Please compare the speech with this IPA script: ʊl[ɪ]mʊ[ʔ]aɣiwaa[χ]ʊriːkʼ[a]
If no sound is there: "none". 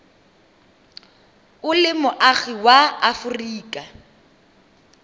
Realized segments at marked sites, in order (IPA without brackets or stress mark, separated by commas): ɪ, ʔ, f, a